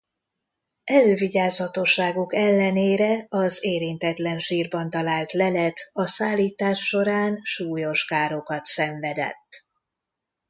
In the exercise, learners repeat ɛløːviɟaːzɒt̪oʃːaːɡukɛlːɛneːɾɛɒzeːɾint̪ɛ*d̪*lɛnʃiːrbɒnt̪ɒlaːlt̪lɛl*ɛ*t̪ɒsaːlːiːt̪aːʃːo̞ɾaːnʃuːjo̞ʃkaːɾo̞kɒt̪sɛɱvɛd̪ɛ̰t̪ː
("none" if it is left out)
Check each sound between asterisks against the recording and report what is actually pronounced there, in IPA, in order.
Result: t̪, ɛ

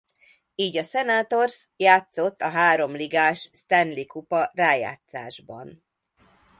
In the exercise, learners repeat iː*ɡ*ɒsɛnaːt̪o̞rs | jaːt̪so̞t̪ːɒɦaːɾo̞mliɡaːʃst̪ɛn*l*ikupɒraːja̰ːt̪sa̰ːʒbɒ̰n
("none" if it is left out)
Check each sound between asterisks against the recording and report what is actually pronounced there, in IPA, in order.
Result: ɟ, l

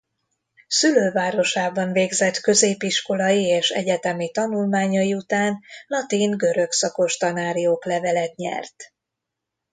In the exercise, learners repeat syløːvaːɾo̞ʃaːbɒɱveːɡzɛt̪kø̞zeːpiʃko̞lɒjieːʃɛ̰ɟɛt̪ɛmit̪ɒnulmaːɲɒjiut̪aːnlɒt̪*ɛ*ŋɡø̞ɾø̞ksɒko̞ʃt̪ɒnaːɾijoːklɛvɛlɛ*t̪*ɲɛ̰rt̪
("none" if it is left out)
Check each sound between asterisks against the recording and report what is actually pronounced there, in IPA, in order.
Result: i, t̪

